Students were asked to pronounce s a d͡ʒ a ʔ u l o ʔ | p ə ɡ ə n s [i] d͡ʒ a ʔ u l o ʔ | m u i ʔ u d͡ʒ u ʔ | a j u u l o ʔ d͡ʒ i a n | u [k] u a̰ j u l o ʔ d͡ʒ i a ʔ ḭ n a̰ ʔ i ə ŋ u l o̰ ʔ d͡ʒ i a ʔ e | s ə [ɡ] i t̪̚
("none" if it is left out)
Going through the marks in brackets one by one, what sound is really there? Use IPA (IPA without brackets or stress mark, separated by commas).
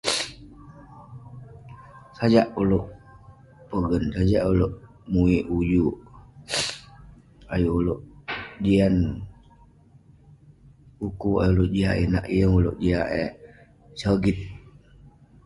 a, k, ɡ